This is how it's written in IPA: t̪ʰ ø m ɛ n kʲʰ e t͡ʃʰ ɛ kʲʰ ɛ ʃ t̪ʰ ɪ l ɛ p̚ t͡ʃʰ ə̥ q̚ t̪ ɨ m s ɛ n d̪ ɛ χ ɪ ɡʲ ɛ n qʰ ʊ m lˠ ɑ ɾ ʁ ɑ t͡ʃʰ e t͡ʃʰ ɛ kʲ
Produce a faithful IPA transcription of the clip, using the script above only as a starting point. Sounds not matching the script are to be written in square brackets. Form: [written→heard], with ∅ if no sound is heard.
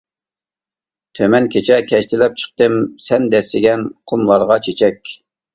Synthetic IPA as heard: t̪ʰ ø m ɛ n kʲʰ e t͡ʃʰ ɛ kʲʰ ɛ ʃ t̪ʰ ɪ l ɛ p̚ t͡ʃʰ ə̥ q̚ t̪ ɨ m s ɛ n d̪ ɛ [χ→s] ɪ ɡʲ ɛ n qʰ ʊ m lˠ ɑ ɾ ʁ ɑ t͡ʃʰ e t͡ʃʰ ɛ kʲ